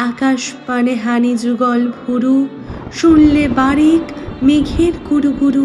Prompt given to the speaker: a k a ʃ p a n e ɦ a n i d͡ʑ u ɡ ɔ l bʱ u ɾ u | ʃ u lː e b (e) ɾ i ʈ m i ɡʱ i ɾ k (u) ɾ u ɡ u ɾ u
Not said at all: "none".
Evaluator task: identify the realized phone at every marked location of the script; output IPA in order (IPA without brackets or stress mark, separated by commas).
a, u